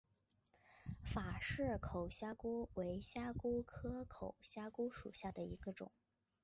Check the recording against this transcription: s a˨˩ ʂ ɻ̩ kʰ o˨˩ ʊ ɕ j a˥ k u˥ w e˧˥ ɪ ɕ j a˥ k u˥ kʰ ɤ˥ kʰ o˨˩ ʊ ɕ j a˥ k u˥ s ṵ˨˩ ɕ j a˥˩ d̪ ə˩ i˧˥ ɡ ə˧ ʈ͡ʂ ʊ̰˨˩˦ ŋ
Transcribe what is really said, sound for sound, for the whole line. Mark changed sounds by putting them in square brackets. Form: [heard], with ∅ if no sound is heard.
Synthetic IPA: [f] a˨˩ ʂ ɻ̩ kʰ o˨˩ ʊ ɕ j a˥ k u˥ w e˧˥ ɪ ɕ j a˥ k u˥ kʰ ɤ˥ kʰ o˨˩ ʊ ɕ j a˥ k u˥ [ʂ] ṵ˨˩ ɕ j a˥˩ d̪ ə˩ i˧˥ ɡ ə˧ ʈ͡ʂ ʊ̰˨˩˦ ŋ